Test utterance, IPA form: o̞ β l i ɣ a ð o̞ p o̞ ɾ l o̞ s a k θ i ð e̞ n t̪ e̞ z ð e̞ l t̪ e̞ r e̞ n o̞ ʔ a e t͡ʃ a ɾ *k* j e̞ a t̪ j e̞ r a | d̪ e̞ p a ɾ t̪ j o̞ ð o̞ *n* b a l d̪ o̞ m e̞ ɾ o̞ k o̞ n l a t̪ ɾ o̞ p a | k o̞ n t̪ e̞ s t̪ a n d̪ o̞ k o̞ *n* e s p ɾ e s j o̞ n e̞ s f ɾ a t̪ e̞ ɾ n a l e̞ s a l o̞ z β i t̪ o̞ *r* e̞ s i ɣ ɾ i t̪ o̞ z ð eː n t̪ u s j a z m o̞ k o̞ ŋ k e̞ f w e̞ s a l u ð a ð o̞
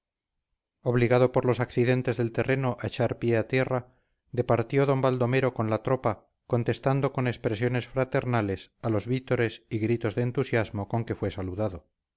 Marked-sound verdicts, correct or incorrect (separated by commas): incorrect, incorrect, correct, incorrect